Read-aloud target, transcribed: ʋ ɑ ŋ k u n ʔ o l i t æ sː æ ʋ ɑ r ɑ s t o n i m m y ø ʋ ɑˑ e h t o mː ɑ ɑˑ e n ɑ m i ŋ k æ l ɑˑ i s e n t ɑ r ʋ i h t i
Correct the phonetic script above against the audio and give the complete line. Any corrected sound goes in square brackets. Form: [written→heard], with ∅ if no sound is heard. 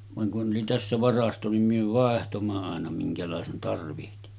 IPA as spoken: ʋ ɑ ŋ k u n ʔ o l i t æ sː æ ʋ ɑ r ɑ s t o n i m m y ø ʋ ɑˑ e h t o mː ɑ ɑˑ e n ɑ m i ŋ k æ l ɑˑ [i→e] s e n t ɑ r ʋ i h t i